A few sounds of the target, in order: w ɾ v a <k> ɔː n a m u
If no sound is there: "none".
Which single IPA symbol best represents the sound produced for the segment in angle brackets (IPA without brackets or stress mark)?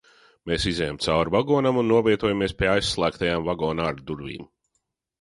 ɡ